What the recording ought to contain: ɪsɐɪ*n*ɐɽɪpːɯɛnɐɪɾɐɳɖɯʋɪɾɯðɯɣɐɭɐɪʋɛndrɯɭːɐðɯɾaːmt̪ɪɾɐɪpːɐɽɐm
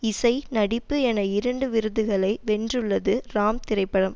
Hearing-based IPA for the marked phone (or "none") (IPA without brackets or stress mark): n